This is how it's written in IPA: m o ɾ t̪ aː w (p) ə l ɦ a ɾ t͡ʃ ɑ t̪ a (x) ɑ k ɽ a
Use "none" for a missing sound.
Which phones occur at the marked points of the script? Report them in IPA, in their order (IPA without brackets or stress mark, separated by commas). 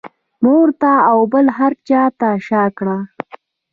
b, ʃ